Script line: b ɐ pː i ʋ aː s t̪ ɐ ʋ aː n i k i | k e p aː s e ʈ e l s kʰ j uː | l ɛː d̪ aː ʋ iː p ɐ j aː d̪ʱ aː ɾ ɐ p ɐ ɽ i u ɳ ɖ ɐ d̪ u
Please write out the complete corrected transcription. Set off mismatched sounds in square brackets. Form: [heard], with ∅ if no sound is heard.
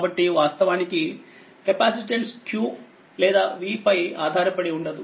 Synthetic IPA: b ɐ [ʈː] i ʋ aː s t̪ ɐ ʋ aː n i k i | k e p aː s [i] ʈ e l s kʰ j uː | l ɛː d̪ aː ʋ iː p ɐ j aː d̪ʱ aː ɾ ɐ p ɐ ɽ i u ɳ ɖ ɐ d̪ u